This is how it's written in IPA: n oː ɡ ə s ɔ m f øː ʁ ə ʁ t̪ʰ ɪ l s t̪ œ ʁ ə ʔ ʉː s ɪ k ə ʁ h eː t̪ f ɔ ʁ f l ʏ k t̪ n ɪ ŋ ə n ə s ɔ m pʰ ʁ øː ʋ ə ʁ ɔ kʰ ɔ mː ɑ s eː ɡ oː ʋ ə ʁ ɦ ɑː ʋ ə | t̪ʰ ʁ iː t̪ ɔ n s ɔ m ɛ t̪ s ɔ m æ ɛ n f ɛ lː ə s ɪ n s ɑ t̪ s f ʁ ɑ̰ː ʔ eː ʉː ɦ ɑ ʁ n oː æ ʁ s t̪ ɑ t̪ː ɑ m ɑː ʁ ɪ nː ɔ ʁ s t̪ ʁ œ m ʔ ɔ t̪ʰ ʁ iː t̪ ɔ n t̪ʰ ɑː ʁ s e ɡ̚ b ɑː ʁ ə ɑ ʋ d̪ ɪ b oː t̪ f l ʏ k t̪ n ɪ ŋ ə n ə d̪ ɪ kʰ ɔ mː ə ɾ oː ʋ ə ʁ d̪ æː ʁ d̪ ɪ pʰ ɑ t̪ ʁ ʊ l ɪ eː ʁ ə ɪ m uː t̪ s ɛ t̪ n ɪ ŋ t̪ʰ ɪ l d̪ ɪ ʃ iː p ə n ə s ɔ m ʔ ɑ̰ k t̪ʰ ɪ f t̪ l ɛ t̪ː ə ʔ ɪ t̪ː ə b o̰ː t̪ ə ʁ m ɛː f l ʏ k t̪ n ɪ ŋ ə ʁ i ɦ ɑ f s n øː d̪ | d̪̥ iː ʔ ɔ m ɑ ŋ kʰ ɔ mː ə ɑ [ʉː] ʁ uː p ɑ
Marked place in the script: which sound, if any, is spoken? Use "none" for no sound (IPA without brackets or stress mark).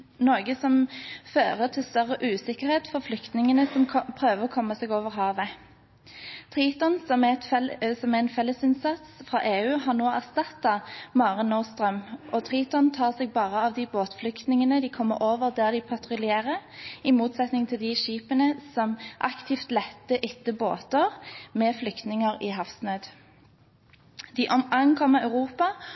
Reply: ʉ